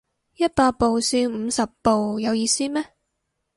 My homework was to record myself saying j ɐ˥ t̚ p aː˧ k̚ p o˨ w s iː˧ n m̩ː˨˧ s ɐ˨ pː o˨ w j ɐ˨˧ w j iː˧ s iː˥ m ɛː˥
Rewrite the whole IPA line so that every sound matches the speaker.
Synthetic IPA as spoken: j ɐ˥ t̚ p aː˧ t̚ p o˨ w s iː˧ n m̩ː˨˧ s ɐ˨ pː o˨ w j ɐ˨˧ w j iː˧ s iː˥ m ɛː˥